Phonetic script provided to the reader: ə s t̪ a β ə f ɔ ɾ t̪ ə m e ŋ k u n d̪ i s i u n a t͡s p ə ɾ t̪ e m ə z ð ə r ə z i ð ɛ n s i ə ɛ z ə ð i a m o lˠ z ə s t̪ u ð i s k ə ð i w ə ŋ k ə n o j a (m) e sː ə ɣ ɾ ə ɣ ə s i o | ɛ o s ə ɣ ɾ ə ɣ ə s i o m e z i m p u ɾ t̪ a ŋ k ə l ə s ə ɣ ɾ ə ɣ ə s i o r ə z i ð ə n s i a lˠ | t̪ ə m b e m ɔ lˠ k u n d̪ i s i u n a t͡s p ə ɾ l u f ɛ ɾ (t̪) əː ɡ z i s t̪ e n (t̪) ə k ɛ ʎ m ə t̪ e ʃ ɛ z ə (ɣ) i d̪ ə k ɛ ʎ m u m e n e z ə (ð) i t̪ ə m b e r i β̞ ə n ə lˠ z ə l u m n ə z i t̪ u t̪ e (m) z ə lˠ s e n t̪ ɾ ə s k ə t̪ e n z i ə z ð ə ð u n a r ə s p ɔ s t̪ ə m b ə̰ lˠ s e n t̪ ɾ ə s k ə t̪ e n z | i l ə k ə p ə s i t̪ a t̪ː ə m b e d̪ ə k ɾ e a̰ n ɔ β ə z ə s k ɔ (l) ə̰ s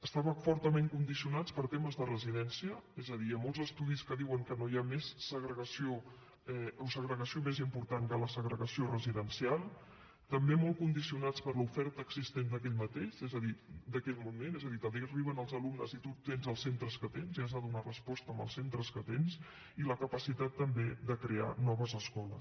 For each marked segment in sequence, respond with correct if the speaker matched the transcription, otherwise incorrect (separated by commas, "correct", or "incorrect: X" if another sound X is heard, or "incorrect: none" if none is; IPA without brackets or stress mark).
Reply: correct, correct, incorrect: d̪, incorrect: ð, correct, incorrect: n, correct